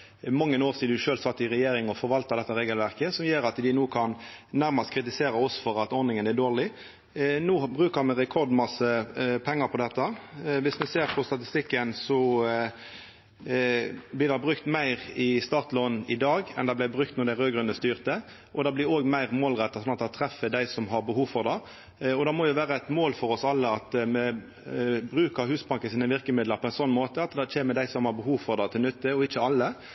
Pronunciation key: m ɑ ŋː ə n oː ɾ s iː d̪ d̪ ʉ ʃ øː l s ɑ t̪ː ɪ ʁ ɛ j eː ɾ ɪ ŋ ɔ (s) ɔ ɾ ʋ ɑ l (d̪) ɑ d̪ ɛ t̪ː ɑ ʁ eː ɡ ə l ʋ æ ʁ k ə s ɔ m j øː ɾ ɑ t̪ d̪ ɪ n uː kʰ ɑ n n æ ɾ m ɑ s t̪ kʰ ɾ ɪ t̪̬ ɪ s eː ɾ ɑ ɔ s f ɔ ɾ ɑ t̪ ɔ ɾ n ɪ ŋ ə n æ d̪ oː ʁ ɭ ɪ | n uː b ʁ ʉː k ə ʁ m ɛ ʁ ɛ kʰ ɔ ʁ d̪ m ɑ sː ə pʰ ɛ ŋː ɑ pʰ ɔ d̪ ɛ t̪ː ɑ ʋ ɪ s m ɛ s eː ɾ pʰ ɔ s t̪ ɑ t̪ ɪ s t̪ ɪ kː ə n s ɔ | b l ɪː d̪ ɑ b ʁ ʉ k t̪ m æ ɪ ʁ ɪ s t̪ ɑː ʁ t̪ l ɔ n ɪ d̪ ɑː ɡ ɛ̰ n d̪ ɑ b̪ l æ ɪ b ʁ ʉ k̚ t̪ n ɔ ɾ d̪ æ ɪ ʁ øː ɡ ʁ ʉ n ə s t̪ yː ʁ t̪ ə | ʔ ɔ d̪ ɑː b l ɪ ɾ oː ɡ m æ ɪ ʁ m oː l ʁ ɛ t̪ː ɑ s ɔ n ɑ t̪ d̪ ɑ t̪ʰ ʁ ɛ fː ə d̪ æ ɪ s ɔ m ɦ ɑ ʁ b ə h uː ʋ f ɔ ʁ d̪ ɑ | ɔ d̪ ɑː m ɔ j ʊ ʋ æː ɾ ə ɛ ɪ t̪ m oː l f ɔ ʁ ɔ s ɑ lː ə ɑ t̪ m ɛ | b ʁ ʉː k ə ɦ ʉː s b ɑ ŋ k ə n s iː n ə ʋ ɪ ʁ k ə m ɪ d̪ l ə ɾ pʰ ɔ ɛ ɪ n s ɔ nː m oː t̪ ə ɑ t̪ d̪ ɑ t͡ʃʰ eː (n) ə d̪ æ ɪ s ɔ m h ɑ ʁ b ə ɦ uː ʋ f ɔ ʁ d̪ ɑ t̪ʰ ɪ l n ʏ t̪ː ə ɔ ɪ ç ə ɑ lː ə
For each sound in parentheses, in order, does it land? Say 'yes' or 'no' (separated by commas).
no, no, no